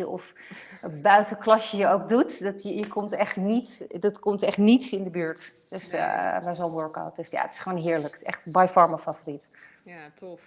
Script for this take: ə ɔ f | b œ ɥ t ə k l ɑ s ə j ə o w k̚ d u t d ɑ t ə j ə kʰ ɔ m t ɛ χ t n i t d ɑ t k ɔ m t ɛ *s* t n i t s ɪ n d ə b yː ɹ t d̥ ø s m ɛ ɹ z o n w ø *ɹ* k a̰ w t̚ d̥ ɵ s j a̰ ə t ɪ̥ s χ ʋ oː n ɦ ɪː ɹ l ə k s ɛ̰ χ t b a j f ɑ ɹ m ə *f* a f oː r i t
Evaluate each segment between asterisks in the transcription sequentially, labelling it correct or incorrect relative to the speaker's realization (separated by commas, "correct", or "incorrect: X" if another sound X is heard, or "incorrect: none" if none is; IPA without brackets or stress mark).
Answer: incorrect: χ, correct, correct